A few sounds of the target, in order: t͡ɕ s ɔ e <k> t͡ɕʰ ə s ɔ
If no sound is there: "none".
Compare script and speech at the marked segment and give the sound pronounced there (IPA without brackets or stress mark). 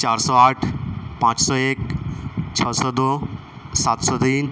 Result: k